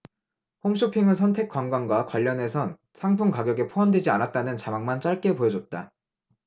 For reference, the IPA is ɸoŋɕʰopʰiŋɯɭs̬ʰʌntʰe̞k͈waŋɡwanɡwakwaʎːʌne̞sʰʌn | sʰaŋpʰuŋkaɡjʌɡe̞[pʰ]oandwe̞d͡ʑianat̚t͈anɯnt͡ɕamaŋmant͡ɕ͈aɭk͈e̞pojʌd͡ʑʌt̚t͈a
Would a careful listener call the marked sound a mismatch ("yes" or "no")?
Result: no